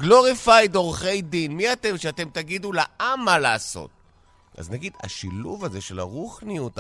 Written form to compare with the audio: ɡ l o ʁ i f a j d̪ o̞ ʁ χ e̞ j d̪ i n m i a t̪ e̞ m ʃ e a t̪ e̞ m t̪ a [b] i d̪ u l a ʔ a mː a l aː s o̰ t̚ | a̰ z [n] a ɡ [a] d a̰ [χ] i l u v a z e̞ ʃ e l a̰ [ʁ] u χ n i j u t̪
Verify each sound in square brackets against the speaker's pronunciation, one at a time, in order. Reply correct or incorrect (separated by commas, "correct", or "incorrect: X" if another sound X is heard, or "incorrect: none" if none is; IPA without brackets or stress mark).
incorrect: ɡ, correct, incorrect: i, incorrect: ʃ, correct